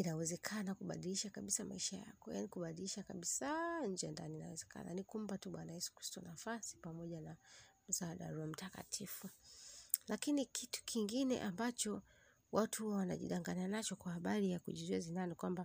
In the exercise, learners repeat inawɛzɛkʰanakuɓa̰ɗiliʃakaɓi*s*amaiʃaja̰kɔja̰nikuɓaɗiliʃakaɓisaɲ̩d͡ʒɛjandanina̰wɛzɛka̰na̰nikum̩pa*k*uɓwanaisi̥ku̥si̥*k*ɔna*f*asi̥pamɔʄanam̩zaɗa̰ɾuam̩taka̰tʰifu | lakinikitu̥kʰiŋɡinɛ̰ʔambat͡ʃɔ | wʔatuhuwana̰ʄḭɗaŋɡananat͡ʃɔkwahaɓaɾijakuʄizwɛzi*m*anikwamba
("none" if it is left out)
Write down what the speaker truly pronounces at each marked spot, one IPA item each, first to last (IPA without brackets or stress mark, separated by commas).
s, t, t, f, n